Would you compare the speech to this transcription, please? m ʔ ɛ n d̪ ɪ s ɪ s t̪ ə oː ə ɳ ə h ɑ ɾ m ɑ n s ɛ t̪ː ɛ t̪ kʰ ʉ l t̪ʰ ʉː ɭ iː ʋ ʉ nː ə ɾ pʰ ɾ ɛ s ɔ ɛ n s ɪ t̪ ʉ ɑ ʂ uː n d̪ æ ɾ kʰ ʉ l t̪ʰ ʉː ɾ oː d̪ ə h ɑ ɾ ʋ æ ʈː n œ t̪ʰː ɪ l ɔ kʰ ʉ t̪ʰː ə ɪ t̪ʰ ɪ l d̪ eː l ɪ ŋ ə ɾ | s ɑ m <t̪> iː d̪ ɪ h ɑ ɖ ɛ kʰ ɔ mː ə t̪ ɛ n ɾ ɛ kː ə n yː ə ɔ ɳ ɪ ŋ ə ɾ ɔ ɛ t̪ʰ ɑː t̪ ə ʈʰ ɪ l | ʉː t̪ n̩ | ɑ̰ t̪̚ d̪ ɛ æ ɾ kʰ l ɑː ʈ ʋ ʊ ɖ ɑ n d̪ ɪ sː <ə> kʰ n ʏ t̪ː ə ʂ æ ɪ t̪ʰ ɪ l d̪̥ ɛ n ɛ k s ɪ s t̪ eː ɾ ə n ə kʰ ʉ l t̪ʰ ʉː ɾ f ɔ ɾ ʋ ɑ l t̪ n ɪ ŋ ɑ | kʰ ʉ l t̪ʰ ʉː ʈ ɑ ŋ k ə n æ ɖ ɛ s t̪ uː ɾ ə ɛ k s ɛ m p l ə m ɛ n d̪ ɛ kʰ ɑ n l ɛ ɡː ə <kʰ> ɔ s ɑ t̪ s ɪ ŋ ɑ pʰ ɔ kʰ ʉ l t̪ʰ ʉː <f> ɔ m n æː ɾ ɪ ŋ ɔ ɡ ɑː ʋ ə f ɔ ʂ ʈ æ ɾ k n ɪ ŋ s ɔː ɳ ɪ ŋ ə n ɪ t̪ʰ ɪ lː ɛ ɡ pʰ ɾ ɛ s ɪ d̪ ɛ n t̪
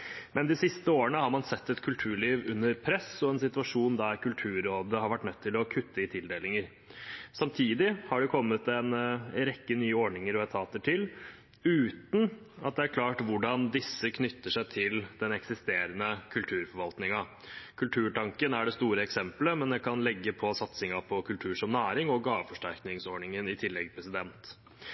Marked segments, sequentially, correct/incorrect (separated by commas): incorrect, correct, incorrect, incorrect